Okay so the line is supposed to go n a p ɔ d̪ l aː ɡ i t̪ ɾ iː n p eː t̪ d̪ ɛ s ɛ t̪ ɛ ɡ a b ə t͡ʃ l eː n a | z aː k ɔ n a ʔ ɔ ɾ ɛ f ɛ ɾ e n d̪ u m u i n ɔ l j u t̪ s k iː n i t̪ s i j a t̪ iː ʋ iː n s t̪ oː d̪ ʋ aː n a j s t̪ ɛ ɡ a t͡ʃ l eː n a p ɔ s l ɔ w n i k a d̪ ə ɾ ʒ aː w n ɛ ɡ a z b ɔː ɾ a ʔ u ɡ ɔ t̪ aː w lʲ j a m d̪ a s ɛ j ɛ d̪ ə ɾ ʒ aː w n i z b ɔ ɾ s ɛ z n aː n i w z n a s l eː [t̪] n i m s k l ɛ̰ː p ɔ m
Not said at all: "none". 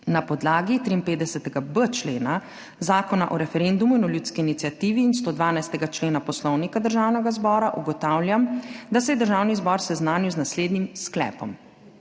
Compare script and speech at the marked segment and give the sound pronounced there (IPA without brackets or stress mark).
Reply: d̪